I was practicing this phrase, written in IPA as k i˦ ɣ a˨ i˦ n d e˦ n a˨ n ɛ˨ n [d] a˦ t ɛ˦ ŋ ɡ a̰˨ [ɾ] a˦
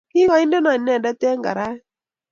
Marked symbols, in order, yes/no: yes, yes

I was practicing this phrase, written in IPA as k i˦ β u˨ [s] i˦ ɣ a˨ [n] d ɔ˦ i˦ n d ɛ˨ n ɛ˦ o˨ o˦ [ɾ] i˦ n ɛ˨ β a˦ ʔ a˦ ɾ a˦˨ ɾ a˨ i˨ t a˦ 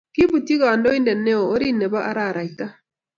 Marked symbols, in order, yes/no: no, yes, yes

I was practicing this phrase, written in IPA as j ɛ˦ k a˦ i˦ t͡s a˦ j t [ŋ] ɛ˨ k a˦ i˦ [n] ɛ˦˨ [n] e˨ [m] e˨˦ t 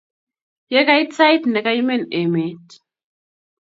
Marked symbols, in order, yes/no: no, no, yes, yes

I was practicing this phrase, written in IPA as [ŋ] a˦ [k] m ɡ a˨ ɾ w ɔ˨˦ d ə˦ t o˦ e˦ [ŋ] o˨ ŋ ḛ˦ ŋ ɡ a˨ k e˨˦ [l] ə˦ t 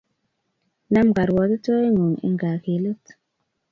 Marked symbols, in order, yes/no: no, no, yes, yes

